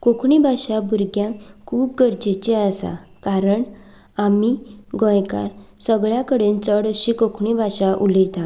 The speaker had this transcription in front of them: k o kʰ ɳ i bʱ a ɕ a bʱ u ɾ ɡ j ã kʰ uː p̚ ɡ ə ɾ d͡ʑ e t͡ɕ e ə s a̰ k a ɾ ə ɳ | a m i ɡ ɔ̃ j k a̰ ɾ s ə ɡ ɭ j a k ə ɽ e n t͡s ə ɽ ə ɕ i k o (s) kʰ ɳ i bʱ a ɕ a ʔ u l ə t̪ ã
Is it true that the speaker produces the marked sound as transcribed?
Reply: no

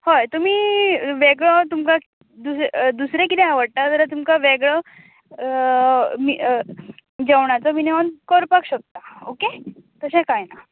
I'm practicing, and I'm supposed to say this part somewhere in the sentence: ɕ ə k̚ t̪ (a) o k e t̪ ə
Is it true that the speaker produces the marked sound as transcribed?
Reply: yes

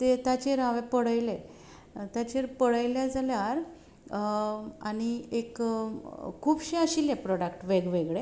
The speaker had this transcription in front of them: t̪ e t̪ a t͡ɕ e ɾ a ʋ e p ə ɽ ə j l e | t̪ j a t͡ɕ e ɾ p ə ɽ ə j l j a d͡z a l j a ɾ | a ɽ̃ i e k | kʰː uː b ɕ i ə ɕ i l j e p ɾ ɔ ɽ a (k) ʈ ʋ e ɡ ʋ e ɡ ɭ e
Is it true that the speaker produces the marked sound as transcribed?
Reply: yes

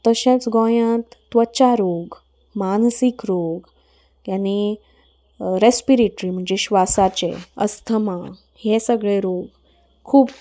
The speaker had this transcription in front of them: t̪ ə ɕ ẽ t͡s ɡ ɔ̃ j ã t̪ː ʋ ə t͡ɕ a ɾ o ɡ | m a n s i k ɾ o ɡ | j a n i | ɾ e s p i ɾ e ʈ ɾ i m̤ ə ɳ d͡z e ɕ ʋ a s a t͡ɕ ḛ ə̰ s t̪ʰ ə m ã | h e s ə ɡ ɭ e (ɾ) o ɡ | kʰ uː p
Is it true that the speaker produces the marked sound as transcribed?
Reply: yes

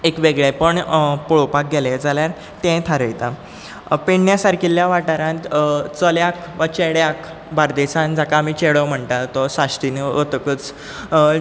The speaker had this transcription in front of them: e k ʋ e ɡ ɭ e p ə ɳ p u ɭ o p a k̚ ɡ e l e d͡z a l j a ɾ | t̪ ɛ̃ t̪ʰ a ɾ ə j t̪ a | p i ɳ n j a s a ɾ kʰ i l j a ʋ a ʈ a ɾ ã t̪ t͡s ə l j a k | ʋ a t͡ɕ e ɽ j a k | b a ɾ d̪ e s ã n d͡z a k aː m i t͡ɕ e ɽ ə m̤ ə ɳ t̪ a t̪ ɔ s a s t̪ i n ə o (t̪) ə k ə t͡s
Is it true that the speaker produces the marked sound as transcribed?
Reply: yes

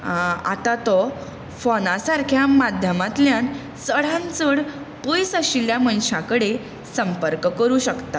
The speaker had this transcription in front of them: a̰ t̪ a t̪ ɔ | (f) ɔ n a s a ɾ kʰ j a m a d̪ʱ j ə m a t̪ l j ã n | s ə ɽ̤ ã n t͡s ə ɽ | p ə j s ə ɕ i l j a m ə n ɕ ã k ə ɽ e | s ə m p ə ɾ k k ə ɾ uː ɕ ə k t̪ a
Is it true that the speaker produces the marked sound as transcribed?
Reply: yes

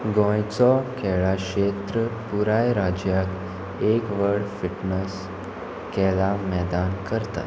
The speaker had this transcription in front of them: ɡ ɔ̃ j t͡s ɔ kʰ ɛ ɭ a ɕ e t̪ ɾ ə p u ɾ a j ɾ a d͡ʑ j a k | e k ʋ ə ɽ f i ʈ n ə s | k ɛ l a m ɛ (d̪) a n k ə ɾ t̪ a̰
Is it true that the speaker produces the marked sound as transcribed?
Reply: yes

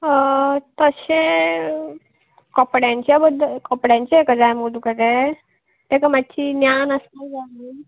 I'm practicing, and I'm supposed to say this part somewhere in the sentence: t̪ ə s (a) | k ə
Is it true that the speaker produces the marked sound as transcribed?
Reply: no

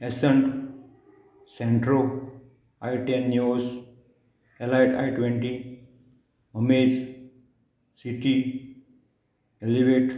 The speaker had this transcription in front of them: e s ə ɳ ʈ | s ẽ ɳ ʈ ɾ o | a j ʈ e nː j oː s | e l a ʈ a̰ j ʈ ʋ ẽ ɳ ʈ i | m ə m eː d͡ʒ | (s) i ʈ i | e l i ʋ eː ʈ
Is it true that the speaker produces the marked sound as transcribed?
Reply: yes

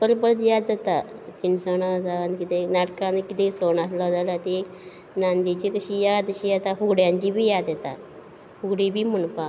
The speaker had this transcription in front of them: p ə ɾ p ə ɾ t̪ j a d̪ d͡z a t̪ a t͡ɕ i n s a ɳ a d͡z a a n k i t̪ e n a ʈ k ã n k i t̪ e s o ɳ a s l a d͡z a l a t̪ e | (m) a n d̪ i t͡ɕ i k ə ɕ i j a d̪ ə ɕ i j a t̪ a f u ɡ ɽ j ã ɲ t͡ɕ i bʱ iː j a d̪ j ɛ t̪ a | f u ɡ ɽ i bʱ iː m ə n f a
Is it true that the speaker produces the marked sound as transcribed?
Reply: no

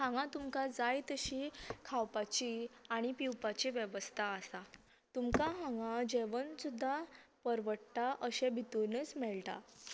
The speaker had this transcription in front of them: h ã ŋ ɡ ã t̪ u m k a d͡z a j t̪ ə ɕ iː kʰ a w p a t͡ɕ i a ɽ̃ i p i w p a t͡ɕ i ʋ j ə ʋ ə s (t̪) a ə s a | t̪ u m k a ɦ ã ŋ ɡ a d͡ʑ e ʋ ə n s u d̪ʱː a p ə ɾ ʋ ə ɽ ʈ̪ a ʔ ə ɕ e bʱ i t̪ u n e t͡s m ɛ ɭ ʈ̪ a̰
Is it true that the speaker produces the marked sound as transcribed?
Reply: no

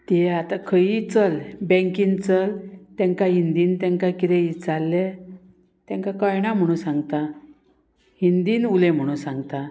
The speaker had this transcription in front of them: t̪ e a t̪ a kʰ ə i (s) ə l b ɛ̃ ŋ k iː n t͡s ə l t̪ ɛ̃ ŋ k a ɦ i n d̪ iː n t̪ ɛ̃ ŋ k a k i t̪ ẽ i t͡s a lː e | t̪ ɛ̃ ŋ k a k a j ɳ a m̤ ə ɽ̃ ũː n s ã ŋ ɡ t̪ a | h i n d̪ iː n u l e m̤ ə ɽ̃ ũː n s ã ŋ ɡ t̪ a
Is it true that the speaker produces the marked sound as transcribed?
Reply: no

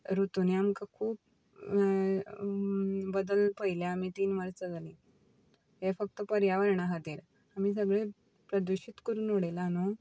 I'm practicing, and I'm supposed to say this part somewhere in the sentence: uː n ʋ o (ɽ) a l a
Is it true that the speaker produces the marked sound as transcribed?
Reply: yes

